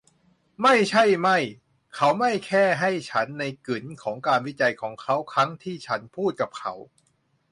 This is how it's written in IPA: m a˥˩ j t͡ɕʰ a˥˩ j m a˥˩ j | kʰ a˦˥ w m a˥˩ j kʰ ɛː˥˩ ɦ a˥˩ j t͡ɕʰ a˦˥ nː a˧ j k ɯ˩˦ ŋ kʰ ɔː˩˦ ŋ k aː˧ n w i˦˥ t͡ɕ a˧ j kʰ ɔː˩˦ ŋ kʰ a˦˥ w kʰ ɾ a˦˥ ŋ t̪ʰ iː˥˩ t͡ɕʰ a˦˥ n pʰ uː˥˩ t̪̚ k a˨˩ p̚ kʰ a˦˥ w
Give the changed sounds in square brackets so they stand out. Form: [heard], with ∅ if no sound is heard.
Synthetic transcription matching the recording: m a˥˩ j t͡ɕʰ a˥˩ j m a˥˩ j | kʰ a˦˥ w m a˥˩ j kʰ ɛː˥˩ ɦ a˥˩ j t͡ɕʰ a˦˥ nː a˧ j k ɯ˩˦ [n] kʰ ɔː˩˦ ŋ k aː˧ n w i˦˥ t͡ɕ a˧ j kʰ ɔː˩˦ ŋ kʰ a˦˥ w kʰ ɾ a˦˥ ŋ t̪ʰ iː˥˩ t͡ɕʰ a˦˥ n pʰ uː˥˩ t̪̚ k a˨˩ p̚ kʰ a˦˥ w